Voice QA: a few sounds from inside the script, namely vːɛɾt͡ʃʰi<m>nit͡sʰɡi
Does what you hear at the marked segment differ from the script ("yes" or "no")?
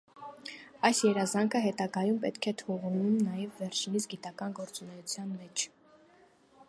yes